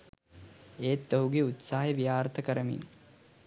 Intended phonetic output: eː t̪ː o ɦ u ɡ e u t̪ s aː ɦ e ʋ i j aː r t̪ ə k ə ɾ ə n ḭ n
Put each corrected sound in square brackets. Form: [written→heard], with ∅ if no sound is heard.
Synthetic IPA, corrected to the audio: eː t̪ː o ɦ u ɡ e u t̪ s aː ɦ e ʋ i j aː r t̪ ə k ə ɾ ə [n→m] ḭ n